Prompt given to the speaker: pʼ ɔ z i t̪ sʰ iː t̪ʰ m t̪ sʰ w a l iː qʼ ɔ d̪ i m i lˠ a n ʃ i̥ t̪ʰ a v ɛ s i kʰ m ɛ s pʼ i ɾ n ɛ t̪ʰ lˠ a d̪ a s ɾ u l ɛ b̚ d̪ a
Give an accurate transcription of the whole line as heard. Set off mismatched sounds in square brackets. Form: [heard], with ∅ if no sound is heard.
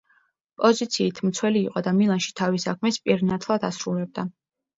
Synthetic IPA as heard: pʼ ɔ z i t̪ sʰ iː t̪ʰ m t̪ sʰ w [ɛ] l iː qʼ ɔ d̪ [a] m i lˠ a n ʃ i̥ t̪ʰ a v [i] s [a] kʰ m ɛ s pʼ i ɾ n [a] t̪ʰ lˠ a d̪ a s ɾ u l ɛ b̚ d̪ a